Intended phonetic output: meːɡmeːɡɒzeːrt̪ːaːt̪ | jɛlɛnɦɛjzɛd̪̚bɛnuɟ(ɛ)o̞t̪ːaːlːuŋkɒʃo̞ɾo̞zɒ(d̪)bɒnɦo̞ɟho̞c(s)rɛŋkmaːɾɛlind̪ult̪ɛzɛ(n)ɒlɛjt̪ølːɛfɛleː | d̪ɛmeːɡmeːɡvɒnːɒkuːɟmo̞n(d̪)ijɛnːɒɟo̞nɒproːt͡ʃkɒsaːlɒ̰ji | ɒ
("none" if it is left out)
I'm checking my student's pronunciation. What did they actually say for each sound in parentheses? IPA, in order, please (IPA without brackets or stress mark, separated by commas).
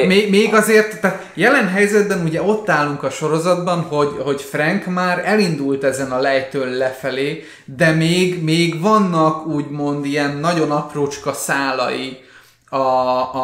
ɛ, d̪, f, n, d̪